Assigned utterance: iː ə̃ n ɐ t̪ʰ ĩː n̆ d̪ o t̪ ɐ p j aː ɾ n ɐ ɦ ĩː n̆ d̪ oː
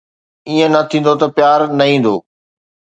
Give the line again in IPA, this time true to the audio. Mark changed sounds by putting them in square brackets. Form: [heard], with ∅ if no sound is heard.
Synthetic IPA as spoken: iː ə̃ n ɐ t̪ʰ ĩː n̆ d̪ o t̪ ɐ p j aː ɾ n ɐ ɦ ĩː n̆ d̪ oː